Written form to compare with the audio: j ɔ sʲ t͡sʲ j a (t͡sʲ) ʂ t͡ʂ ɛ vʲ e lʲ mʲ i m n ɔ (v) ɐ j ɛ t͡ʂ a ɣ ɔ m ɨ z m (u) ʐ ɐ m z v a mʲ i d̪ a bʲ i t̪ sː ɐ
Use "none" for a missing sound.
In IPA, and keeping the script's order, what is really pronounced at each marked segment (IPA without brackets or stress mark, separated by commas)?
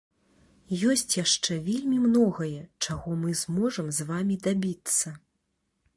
none, ɣ, ɔ